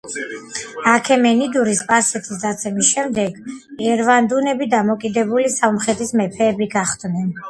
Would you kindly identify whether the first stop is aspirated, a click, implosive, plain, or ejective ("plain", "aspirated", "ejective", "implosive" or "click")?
aspirated